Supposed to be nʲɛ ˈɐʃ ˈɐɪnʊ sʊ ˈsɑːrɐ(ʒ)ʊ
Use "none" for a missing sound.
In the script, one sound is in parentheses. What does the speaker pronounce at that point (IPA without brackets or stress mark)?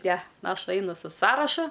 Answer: ʃ